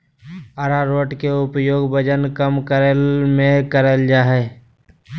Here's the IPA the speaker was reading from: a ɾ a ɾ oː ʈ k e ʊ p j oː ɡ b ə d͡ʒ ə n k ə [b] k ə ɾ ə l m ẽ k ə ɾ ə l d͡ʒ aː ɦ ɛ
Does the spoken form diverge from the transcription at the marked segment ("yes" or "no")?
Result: yes